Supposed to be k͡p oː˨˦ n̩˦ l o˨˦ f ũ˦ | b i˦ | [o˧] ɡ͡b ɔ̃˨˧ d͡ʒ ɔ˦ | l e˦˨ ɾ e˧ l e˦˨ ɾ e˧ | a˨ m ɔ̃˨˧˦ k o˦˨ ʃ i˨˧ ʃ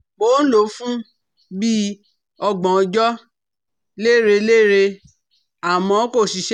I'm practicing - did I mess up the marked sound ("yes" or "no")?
yes